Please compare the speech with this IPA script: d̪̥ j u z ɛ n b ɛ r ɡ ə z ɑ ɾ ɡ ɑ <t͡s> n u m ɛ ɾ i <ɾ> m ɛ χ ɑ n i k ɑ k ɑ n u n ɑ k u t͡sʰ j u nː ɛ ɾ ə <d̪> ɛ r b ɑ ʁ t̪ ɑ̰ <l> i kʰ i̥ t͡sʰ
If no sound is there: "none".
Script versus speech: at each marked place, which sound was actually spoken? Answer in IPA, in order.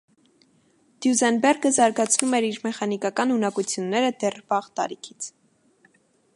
t͡sʰ, ɾ, d̪, ɾ

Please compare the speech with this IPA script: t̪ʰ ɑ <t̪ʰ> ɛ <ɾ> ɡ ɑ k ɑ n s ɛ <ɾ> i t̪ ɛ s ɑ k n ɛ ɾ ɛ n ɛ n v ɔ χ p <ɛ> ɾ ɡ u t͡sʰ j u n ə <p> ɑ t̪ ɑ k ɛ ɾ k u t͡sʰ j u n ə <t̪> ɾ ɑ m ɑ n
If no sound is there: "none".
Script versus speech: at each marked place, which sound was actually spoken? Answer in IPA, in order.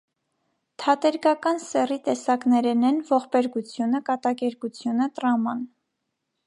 t̪, ɾ, r, ɛ, k, t̪

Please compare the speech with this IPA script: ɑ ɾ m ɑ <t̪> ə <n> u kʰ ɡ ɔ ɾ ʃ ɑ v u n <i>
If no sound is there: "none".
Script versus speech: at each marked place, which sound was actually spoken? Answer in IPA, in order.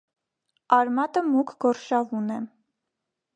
t̪, m, ɛ

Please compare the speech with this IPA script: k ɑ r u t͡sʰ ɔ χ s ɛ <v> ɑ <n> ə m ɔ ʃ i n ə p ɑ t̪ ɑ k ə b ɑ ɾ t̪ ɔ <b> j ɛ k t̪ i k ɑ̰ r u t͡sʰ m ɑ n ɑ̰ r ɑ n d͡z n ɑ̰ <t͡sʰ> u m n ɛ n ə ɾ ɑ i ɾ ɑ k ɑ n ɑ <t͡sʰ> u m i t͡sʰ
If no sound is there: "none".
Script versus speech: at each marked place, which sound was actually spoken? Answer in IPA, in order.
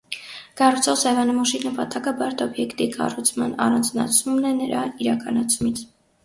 v, n, b, t͡sʰ, t͡sʰ

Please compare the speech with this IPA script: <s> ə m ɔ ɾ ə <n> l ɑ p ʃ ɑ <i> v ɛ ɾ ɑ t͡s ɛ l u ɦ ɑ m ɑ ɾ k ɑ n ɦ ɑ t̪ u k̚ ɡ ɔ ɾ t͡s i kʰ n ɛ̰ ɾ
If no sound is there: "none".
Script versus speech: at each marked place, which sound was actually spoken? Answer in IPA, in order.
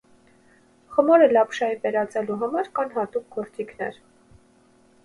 χ, none, i

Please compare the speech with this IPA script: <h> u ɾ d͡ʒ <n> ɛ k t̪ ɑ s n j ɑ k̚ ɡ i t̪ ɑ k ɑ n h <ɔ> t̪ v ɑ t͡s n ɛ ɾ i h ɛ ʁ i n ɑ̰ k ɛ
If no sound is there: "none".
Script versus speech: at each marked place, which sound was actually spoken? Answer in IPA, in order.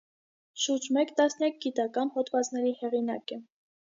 ʃ, m, ɔ

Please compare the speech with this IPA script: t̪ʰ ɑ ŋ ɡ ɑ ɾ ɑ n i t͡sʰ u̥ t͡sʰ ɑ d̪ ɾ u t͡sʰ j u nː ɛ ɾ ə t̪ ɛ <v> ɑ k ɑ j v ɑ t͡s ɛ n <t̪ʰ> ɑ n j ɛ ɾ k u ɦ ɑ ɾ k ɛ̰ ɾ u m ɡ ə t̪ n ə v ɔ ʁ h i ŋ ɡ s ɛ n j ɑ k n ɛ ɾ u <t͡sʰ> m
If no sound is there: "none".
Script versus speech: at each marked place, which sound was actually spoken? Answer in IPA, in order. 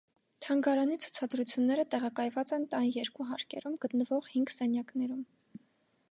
ʁ, t̪, none

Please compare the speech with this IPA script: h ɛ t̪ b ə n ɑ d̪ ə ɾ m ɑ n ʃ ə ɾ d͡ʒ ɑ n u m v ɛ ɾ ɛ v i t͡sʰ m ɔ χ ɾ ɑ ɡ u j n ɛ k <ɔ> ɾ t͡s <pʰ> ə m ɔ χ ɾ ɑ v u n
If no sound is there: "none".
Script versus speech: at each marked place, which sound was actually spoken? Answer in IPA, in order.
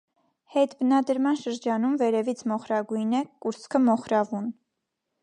u, kʰ

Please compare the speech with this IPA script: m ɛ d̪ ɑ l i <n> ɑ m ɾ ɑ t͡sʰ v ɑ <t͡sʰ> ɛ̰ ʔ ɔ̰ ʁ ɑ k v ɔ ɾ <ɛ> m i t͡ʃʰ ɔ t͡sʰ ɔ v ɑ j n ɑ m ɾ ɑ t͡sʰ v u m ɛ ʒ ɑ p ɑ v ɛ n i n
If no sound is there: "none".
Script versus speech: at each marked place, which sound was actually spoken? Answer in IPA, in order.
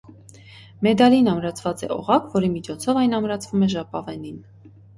n, t͡s, i

